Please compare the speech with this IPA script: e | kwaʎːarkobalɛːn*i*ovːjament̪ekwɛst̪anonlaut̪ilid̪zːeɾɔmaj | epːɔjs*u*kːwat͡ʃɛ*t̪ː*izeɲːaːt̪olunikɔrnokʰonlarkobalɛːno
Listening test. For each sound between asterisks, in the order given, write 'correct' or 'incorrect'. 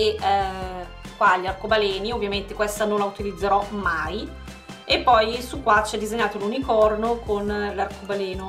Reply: correct, correct, incorrect: d̪ː

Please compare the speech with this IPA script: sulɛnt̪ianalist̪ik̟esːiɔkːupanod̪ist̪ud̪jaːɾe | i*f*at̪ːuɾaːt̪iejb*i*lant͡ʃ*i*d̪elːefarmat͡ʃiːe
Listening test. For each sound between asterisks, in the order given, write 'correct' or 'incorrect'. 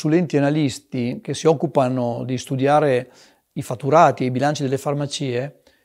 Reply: correct, correct, correct

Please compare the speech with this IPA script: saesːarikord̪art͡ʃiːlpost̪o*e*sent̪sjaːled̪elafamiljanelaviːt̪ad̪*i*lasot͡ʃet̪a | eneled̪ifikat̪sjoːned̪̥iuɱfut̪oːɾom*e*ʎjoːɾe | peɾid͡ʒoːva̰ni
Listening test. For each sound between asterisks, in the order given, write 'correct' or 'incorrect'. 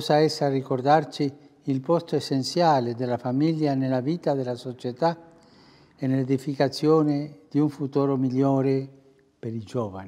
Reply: correct, incorrect: e, incorrect: i

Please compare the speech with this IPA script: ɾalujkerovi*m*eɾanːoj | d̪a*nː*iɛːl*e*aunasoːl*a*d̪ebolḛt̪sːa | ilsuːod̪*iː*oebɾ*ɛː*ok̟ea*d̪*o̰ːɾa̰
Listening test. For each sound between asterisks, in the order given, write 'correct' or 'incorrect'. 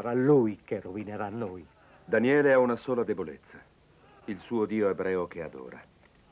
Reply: incorrect: n, incorrect: n, correct, correct, correct, correct, correct

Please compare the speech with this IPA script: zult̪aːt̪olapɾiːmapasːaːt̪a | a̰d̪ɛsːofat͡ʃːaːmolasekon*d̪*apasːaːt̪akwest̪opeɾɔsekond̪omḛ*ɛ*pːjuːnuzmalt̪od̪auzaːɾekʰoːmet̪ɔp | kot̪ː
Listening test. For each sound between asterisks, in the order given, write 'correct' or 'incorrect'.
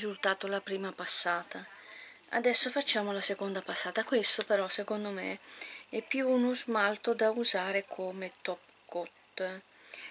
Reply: correct, correct

